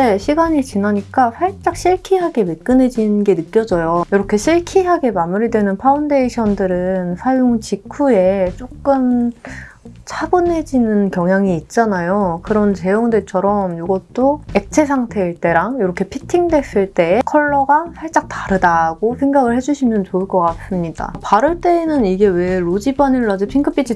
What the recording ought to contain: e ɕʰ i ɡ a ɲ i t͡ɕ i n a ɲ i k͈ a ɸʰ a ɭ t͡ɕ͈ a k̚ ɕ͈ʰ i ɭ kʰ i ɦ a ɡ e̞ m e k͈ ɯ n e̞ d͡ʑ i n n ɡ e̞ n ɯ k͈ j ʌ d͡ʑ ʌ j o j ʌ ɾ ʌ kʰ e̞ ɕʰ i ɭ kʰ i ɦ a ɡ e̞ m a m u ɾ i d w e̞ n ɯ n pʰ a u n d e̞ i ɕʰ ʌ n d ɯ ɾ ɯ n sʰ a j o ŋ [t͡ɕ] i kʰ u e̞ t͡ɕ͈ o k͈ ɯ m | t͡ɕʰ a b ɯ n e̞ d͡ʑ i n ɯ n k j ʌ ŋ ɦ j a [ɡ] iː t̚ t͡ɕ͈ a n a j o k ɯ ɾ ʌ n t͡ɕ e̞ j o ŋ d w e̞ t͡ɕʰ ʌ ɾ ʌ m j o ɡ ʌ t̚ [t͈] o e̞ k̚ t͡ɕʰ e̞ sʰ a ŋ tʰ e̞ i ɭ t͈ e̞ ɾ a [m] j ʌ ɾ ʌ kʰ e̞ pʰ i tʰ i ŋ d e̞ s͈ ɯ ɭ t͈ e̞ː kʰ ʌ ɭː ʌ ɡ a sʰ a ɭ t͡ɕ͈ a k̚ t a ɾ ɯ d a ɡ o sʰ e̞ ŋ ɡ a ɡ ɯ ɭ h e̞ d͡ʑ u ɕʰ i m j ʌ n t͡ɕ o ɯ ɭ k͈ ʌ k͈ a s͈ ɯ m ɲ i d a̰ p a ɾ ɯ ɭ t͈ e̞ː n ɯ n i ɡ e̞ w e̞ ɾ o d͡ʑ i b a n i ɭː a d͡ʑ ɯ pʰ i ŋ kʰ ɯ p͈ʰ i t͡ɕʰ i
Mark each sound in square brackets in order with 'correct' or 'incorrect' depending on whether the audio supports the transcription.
correct, incorrect, correct, incorrect

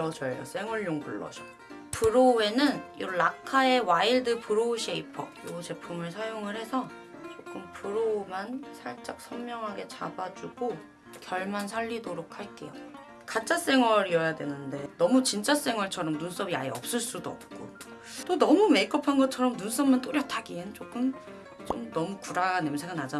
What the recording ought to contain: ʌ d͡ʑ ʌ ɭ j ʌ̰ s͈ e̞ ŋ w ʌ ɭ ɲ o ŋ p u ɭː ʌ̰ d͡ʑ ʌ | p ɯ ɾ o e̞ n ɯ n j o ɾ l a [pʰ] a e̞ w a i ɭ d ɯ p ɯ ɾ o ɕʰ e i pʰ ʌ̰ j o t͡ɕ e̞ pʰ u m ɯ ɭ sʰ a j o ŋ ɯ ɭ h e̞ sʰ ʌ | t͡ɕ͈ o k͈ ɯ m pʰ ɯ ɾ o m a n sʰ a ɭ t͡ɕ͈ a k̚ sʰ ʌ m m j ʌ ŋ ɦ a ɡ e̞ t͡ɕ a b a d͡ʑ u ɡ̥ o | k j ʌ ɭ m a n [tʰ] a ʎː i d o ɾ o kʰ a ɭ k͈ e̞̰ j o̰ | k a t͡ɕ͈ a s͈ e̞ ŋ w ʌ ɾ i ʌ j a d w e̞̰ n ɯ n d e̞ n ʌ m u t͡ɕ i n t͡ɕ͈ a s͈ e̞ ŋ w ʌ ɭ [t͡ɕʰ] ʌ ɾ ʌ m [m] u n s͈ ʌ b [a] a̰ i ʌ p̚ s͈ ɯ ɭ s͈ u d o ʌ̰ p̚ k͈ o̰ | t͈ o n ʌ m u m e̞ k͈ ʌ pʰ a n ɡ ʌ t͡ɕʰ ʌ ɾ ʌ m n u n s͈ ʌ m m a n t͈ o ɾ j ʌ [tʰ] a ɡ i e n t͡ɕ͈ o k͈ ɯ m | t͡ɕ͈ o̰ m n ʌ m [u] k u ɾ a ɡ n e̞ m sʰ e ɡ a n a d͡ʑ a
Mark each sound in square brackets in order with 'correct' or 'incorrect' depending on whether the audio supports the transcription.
incorrect, incorrect, correct, incorrect, incorrect, correct, correct

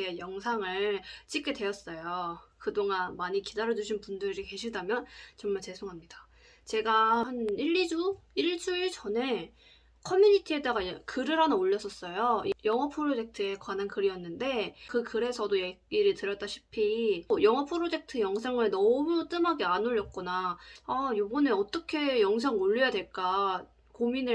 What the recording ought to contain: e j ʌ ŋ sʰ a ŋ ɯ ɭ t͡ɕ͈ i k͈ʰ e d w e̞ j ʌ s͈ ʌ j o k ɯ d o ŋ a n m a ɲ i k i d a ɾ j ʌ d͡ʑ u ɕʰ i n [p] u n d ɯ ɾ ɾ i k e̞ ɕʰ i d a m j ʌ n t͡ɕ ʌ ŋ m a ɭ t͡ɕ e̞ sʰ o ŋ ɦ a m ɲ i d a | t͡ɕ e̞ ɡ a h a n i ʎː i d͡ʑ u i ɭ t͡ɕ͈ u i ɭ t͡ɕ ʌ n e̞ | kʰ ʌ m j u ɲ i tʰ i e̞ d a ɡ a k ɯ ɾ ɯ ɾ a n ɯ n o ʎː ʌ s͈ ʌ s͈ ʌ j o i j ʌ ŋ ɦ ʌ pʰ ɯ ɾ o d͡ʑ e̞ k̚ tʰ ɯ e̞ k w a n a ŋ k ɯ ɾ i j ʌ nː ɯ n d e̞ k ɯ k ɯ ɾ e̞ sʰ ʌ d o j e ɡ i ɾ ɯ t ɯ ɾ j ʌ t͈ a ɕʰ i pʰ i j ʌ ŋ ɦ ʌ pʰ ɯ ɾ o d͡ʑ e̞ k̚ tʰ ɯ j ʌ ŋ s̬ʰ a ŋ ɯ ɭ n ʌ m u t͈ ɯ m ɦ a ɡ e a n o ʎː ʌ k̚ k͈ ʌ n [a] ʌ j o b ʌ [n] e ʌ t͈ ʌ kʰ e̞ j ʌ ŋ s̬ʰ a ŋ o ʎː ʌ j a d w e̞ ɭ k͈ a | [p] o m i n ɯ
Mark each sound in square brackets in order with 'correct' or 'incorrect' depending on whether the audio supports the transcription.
correct, correct, correct, incorrect

